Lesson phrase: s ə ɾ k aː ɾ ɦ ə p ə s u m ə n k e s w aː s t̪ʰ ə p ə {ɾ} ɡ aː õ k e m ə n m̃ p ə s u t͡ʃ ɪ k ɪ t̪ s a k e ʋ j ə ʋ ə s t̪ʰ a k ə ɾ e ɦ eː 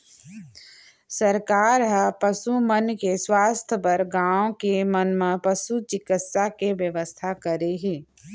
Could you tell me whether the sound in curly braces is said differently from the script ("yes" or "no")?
no